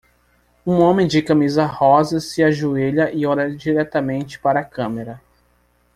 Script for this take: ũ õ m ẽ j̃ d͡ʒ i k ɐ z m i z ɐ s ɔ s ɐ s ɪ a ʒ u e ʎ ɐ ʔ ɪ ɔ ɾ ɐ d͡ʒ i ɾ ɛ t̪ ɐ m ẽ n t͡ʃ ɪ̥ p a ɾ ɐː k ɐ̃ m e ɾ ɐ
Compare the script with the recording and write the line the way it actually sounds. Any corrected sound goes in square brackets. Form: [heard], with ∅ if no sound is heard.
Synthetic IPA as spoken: ũ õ m ẽ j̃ d͡ʒ [ɪ] k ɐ [∅] m i z ɐ [h] ɔ [z] ɐ s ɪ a ʒ u e ʎ ɐ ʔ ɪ ɔ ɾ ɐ d͡ʒ i ɾ ɛ t̪ ɐ m ẽ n t͡ʃ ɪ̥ p a ɾ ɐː k ɐ̃ m e ɾ ɐ